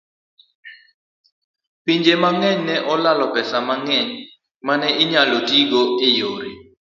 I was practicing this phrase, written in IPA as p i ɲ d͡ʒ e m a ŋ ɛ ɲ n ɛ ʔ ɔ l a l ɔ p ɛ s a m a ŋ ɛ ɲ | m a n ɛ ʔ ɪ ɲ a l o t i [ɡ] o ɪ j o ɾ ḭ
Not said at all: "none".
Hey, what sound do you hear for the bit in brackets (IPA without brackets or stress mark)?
ɡ